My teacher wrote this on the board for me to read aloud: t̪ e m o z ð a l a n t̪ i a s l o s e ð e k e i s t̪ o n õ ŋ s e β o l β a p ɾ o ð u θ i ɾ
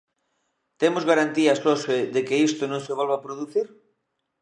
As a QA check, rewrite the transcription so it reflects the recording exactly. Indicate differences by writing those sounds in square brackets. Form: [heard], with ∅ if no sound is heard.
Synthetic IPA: t̪ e m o z [ɣ] a [ɾ] a n t̪ i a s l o s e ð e k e i s t̪ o n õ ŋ s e β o l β a p ɾ o ð u θ i ɾ